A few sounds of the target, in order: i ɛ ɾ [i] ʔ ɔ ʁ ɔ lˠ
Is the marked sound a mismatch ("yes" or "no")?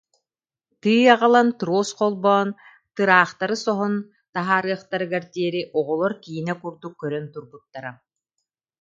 no